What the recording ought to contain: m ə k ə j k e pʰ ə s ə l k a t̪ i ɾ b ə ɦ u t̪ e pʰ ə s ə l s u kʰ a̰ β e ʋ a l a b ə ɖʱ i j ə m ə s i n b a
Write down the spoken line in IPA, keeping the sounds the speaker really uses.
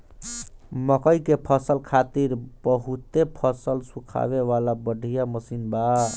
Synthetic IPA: m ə k ə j k e pʰ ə s ə l kʰ a t̪ i ɾ b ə ɦ u t̪ e pʰ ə s ə l s u kʰ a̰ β e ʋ a l a b ə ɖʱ i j a m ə s i n b a